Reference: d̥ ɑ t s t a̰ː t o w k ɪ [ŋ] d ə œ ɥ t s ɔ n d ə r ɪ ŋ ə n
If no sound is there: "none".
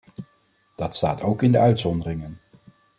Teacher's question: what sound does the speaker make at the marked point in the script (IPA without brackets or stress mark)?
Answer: n